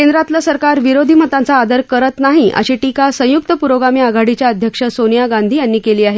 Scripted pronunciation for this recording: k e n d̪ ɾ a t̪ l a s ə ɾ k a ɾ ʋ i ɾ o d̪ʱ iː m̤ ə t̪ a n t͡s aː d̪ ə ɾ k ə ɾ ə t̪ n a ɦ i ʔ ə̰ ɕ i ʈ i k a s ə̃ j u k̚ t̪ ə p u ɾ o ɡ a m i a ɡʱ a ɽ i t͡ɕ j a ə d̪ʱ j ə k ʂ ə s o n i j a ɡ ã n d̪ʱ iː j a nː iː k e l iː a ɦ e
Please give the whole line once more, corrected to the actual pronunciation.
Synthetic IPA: k e n d̪ ɾ a t̪ l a s ə ɾ k a ɾ ʋ i ɾ o d̪ʱ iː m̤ ə t̪ a n t͡s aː d̪ ə ɾ k ə ɾ ə t̪ n a ɦ i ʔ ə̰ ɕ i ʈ i k a s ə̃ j u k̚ t̪ ə p u ɾ o ɡ a m i a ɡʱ a ɽ i t͡ɕ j a ə d̪ʱ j ə k ʂ ə s o n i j a ɡ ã n d̪ʱ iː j a nː iː k e l iː a ɦ e

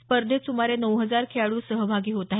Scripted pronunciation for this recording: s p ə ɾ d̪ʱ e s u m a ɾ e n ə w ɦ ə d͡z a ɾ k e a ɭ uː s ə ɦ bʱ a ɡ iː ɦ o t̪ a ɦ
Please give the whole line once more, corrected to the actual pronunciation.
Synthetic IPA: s p ə ɾ d̪ʱ e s u m a ɾ e n ə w ɦ ə d͡z a ɾ kʰ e a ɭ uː s ə ɦ bʱ a ɡ iː ɦ o t̪ a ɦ

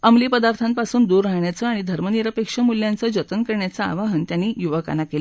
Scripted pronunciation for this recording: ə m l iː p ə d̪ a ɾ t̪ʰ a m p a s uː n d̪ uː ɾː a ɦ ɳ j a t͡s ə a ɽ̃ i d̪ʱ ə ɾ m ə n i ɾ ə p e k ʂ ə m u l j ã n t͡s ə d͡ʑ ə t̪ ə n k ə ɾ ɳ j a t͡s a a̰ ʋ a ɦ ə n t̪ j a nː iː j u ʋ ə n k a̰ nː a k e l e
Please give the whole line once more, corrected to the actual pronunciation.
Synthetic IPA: ə m l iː p ə d̪ a ɾ t̪ʰ a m p a s uː n d̪ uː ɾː a ɦ ɳ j a t͡s ə a ɽ̃ i d̪ʱ ə ɾ m ə n i ɾ ə p e k ʂ ə m u l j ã n t͡s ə d͡ʑ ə t̪ ə n k ə ɾ ɳ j a t͡s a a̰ ʋ a ɦ ə n t̪ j a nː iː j u ʋ ə k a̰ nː a k e l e

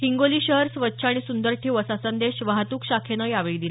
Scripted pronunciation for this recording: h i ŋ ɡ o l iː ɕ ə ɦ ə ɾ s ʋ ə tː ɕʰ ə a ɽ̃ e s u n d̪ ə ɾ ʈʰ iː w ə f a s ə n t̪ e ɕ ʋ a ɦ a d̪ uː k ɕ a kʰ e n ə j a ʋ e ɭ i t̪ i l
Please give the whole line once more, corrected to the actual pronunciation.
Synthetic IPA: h i ŋ ɡ o l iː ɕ ə ɦ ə ɾ s ʋ ə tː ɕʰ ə a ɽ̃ i s u n d̪ ə ɾ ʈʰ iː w ə s a s ə n d̪ e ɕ ʋ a ɦ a t̪ uː k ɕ a kʰ e n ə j a ʋ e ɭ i d̪ i l

